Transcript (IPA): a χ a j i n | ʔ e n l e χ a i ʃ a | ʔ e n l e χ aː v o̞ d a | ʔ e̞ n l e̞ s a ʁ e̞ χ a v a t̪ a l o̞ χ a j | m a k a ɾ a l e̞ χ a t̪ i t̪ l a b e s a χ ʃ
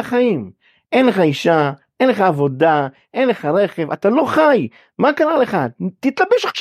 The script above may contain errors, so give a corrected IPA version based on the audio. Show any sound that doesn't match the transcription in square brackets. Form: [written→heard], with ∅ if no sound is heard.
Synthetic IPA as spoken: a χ a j i [n→m] | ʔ e n l e χ a i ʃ a | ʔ e n l e χ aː v o̞ d a | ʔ e̞ n l e̞ [s→χ] a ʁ e̞ χ [a→e] v a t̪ a l o̞ χ a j | m a k a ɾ a l e̞ χ a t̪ i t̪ l a b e [s→ʃ] a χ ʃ